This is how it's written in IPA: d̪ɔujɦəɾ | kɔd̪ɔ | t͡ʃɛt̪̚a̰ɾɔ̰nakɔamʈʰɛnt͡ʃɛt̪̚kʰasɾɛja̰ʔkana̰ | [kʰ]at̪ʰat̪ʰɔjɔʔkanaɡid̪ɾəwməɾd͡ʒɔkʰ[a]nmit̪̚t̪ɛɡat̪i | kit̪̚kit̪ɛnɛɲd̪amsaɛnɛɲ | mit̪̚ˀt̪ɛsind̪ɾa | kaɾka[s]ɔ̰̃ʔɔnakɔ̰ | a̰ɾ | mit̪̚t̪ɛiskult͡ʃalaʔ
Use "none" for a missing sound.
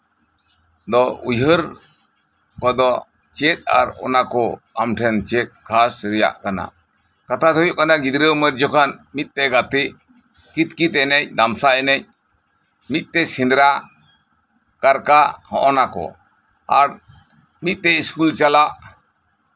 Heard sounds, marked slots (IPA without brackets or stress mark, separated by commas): k, a, h